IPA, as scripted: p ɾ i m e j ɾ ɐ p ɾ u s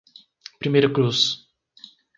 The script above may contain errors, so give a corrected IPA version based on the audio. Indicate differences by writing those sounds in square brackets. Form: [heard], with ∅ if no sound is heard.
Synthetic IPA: p ɾ i m e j ɾ ɐ [k] ɾ u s